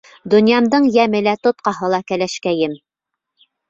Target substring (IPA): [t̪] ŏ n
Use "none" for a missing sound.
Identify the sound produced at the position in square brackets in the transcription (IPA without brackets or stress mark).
d̪